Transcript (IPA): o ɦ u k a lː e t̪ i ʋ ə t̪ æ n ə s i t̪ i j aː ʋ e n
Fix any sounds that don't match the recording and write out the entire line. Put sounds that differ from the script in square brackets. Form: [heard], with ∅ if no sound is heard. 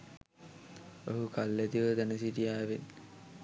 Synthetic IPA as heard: o ɦ u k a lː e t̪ i ʋ ə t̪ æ n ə s i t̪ i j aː ʋ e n